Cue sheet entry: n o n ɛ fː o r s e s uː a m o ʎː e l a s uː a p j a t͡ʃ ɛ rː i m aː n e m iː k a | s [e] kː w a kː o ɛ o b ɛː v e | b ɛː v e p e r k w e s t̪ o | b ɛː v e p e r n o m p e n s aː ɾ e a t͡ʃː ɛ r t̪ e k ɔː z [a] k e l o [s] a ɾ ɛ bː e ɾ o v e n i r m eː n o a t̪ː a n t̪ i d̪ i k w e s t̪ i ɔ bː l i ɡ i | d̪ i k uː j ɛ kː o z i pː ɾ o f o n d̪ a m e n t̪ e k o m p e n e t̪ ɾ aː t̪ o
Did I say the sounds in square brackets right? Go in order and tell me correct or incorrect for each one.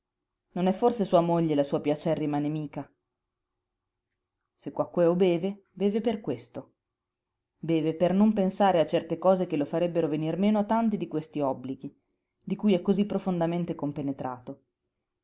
correct, incorrect: e, incorrect: f

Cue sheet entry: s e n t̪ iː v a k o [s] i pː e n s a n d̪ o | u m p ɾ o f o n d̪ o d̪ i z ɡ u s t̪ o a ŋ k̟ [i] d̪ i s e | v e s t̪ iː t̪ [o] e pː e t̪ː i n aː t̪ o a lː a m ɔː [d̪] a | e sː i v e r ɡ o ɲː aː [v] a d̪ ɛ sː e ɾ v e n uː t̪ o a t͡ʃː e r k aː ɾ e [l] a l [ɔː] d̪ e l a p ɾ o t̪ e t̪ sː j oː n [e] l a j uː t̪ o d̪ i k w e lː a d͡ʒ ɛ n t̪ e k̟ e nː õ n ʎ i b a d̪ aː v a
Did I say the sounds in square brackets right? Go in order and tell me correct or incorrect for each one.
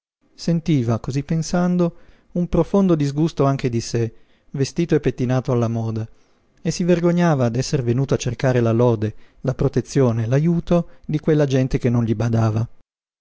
incorrect: z, incorrect: e, correct, correct, correct, correct, correct, correct

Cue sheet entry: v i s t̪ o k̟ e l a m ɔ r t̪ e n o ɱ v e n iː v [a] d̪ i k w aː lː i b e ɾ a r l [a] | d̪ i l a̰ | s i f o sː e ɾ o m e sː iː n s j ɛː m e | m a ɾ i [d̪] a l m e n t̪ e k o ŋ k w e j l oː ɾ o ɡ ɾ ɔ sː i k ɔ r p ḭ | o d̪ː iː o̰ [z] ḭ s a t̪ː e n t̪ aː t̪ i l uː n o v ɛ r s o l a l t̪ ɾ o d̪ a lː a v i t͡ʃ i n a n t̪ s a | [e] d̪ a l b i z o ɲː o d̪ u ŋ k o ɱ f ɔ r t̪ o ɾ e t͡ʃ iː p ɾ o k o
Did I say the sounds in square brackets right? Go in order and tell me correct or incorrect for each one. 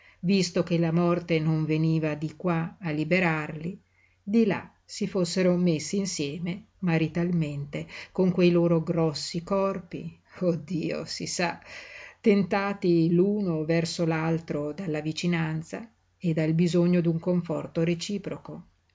correct, incorrect: i, incorrect: t̪, incorrect: s, correct

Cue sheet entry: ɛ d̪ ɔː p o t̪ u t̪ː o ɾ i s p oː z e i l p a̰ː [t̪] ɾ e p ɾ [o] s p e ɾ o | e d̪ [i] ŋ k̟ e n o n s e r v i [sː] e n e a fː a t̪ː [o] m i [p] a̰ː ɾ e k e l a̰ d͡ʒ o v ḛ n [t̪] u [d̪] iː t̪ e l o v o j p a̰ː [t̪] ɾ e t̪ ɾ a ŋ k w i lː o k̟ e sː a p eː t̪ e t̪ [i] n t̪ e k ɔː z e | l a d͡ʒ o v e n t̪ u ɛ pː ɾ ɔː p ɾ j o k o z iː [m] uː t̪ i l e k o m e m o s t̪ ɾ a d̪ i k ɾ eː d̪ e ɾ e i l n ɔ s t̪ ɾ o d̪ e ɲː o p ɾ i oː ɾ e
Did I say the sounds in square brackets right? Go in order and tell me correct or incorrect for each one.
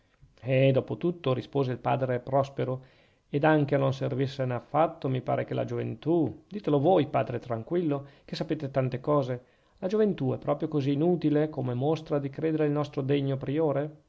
incorrect: d̪, incorrect: ɔ, incorrect: a, correct, correct, correct, correct, correct, incorrect: d̪, incorrect: a, incorrect: n

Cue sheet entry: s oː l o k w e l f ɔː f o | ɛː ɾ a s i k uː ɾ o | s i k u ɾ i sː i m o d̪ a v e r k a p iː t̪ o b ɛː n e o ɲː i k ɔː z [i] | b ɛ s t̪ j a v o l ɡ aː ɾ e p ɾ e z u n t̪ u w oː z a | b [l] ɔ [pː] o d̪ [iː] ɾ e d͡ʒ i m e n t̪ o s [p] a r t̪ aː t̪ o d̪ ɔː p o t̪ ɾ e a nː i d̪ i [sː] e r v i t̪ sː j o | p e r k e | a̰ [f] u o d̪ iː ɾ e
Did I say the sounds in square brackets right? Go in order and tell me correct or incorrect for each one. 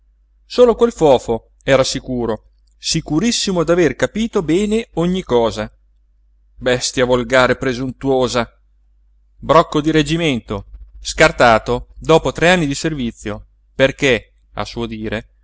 incorrect: a, incorrect: ɾ, incorrect: kː, incorrect: i, incorrect: k, incorrect: s, incorrect: s

